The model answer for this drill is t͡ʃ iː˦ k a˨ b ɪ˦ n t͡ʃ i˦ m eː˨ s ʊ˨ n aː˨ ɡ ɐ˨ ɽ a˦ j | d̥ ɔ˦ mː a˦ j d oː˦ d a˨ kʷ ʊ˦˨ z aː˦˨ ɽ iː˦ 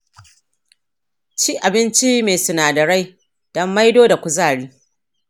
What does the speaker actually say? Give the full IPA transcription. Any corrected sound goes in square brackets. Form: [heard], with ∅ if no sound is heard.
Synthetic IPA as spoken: t͡ʃ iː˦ [ʔ] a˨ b ɪ˦ n t͡ʃ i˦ m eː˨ s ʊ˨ n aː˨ [d] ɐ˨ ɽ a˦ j | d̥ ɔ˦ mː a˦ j d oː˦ d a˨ kʷ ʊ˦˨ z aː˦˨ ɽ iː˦